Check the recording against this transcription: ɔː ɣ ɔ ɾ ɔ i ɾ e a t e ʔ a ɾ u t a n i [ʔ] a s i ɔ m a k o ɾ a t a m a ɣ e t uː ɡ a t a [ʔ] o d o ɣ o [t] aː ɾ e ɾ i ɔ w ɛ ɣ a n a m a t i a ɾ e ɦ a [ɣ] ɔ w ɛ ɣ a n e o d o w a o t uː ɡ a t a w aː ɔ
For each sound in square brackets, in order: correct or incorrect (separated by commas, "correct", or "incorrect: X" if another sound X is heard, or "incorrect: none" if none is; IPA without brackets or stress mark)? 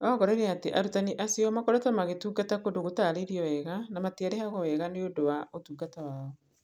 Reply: correct, incorrect: k, correct, correct